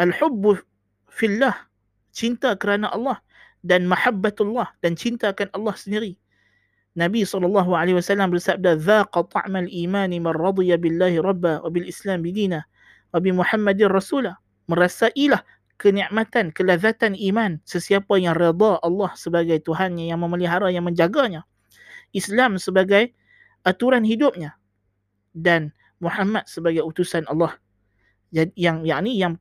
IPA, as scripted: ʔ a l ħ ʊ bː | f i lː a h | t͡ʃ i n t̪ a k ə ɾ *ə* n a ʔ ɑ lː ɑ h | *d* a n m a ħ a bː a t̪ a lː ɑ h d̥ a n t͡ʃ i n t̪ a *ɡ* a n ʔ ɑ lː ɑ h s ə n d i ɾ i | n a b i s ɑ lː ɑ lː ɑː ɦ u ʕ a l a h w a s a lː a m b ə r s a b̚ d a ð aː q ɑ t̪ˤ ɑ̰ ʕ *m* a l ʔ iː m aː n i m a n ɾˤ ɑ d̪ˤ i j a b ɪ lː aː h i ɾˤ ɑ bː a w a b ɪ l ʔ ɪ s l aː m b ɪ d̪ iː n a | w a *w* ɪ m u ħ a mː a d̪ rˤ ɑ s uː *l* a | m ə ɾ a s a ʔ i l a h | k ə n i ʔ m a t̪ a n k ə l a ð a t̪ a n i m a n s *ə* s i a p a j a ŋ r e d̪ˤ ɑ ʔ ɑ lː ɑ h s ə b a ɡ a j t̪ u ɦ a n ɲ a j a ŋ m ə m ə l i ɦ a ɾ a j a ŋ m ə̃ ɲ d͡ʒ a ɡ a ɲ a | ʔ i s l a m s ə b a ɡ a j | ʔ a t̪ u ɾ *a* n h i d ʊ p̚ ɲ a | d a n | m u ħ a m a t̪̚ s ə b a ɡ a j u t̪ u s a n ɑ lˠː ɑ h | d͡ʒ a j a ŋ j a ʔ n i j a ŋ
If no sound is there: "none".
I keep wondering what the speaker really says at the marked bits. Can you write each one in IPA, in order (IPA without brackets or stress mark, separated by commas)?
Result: a, d, k, m, b, l, ə, a